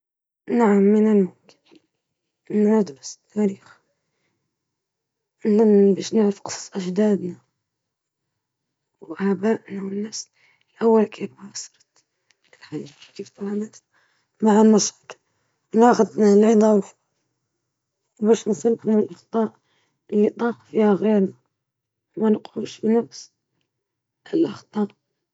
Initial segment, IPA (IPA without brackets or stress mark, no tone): n